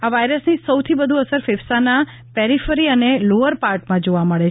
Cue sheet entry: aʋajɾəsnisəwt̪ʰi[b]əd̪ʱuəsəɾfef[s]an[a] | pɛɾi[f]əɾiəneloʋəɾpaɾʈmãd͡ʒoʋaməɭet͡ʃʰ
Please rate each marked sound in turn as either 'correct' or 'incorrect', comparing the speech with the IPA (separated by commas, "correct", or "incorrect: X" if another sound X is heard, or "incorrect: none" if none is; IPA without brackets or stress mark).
correct, correct, correct, correct